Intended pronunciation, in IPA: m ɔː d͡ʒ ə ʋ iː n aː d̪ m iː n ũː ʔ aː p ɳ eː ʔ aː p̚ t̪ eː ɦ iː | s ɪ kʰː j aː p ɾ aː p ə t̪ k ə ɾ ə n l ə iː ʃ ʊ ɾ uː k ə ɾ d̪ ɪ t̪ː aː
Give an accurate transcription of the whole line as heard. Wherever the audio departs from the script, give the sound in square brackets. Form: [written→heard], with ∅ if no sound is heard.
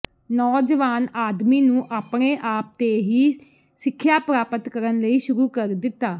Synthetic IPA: [m→n] ɔː d͡ʒ ə ʋ [iː→aː] n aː d̪ m iː n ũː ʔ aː p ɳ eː ʔ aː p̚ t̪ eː ɦ iː | s ɪ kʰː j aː p ɾ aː p ə t̪ k ə ɾ ə n l ə iː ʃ ʊ ɾ uː k ə ɾ d̪ ɪ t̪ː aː